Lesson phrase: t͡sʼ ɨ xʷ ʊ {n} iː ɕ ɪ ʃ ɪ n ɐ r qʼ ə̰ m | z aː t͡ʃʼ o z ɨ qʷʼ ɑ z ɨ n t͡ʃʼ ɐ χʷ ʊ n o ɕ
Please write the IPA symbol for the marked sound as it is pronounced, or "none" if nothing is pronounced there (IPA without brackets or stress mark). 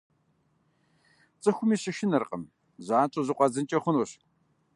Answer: m